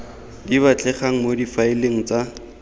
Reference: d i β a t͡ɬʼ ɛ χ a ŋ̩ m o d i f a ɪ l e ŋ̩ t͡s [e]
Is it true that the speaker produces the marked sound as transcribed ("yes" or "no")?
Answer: no